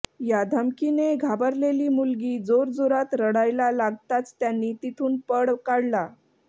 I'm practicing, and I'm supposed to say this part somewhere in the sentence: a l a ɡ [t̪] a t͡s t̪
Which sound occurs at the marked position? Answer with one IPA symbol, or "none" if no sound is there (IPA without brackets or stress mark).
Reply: t̪